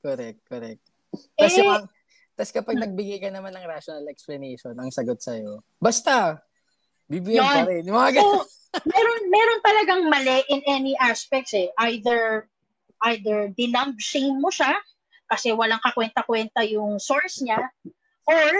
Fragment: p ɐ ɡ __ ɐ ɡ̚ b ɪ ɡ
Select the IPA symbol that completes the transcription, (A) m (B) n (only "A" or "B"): B